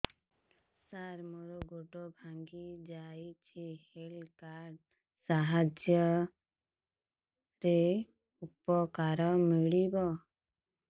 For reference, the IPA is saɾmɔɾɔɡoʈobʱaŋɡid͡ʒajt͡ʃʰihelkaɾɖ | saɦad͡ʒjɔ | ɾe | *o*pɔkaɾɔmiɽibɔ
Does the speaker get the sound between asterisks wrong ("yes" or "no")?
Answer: yes